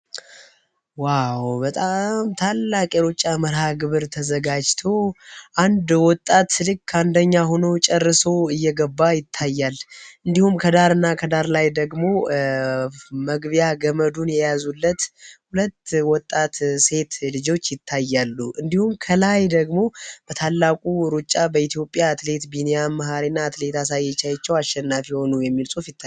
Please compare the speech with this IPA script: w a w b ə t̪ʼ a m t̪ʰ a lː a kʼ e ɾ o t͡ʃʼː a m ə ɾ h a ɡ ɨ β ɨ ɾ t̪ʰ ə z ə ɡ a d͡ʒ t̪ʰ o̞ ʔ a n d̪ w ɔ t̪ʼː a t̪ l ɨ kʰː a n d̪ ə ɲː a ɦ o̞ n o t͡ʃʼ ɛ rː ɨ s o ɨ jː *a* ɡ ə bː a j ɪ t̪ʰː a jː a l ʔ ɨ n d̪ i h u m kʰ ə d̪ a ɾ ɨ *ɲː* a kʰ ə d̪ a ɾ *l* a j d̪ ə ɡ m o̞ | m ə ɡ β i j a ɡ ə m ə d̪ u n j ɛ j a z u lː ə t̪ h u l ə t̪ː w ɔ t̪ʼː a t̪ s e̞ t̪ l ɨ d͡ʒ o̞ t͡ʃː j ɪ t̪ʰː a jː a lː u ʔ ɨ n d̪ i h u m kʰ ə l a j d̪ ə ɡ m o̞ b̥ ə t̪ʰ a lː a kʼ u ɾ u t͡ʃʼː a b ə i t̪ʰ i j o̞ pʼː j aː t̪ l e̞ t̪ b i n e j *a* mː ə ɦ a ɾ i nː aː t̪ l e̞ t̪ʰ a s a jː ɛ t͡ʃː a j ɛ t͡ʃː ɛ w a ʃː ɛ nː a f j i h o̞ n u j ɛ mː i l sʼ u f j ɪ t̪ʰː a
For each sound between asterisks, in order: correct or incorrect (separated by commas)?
incorrect, incorrect, correct, correct